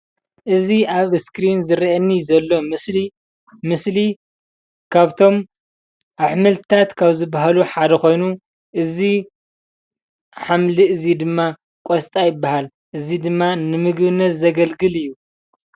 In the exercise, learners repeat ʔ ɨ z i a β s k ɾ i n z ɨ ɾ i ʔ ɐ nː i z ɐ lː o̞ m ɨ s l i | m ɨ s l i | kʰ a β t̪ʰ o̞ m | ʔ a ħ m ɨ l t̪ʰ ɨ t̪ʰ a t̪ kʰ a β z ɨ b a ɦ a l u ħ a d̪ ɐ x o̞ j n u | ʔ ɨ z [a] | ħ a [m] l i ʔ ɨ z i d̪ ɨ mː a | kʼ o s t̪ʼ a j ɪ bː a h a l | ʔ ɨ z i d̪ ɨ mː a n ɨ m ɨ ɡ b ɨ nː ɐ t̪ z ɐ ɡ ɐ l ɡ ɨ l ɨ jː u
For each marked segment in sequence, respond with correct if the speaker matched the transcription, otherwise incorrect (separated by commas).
incorrect, correct